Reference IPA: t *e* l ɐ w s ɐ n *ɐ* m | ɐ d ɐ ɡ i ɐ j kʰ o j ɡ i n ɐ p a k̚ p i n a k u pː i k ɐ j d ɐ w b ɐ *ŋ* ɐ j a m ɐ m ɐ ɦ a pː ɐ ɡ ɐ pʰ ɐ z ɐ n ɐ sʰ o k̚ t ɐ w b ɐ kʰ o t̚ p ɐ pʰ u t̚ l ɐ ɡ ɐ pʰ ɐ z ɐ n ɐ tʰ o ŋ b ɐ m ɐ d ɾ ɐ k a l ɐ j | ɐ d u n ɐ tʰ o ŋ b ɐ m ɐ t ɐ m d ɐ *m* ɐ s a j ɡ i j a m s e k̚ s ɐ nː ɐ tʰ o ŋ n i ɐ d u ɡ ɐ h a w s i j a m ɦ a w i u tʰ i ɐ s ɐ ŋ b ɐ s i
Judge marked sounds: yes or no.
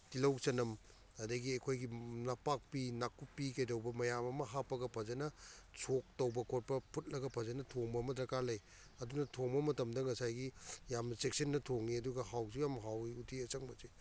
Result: no, yes, no, no

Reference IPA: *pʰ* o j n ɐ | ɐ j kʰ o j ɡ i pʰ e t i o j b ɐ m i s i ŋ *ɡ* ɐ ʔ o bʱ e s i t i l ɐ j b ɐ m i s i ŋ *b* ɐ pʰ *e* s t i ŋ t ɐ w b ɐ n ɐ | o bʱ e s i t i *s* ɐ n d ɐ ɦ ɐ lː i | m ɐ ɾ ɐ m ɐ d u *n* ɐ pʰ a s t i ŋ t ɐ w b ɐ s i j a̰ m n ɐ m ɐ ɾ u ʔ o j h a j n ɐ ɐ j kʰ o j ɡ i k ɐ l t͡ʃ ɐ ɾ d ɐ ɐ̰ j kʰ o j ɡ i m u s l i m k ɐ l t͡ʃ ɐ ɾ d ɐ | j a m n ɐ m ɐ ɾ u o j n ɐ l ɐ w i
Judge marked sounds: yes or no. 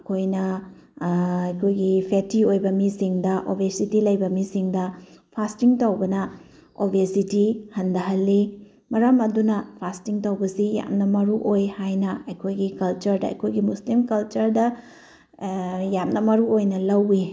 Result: no, no, no, no, no, yes

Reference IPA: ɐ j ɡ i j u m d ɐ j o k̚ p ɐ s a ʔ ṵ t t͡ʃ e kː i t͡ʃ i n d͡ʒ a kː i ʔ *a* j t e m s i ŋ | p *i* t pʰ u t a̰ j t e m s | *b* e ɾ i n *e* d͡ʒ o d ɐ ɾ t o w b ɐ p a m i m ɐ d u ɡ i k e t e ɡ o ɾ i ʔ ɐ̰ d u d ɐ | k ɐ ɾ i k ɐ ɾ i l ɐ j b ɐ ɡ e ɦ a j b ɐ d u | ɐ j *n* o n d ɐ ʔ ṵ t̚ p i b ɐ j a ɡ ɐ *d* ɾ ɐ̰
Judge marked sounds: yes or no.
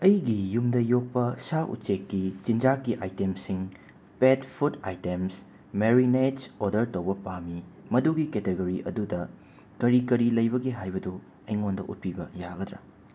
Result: yes, no, no, yes, no, yes

